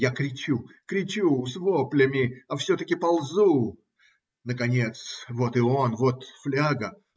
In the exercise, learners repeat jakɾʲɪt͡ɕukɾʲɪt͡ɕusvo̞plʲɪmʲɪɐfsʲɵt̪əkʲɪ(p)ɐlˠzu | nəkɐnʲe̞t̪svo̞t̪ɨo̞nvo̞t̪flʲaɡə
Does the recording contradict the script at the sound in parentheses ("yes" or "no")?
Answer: no